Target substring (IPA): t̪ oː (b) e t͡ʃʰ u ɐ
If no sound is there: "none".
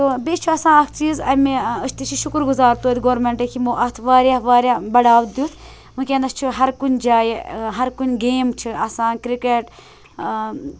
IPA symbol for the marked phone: b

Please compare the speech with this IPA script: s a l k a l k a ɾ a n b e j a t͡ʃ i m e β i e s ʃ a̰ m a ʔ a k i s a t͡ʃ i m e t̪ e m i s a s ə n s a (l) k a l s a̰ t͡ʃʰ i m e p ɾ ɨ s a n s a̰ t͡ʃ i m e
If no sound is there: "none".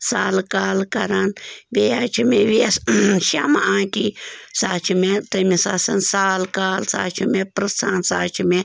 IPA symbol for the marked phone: l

